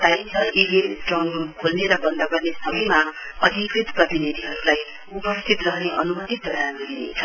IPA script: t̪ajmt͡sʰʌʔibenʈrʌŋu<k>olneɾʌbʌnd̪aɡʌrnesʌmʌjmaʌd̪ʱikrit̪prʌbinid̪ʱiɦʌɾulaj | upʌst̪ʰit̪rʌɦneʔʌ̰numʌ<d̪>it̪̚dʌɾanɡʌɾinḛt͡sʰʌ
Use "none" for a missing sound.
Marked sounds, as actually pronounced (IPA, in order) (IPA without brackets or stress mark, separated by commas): kʰ, t̪